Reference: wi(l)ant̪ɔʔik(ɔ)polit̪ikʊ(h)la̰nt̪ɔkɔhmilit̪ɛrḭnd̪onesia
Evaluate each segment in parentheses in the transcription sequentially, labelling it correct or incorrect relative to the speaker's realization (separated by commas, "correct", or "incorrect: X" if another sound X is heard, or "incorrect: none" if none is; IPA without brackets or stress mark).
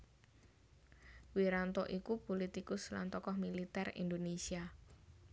incorrect: ɾ, incorrect: u, incorrect: s